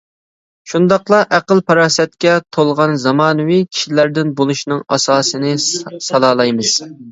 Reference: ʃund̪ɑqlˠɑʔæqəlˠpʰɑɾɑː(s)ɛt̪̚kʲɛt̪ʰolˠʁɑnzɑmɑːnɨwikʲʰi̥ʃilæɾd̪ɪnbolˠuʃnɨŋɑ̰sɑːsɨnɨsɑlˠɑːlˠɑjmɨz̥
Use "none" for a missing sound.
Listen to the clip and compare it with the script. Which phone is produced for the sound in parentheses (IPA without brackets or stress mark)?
s